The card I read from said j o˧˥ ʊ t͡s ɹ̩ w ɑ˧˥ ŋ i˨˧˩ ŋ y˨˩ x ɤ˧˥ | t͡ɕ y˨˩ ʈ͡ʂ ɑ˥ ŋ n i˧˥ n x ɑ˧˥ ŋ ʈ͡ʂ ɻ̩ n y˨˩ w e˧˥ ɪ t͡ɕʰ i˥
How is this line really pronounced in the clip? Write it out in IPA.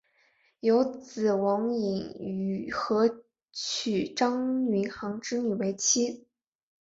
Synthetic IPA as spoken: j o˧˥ ʊ t͡s ɹ̩ w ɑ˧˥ ŋ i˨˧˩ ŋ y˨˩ x ɤ˧˥ | t͡ɕʰ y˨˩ ʈ͡ʂ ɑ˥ ŋ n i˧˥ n x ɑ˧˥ ŋ ʈ͡ʂ ɻ̩ n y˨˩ w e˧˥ ɪ t͡ɕʰ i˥